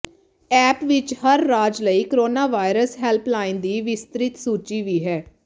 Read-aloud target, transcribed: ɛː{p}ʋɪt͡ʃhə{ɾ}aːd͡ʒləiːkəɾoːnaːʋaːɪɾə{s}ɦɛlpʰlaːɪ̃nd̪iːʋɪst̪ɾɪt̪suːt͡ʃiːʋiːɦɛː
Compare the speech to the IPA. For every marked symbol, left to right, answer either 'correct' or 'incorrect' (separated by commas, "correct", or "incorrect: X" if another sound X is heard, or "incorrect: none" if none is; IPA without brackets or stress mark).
correct, incorrect: ɾː, correct